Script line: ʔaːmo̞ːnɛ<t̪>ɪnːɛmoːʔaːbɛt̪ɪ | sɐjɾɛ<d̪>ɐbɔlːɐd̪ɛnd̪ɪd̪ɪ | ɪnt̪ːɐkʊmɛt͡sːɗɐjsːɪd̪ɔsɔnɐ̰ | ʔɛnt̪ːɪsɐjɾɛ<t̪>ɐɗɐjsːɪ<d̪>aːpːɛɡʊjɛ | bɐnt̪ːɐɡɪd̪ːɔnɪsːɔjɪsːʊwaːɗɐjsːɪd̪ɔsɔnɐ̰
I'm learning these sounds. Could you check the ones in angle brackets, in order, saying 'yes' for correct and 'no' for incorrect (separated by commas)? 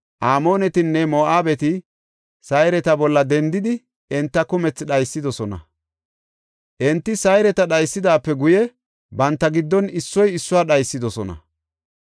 yes, no, yes, yes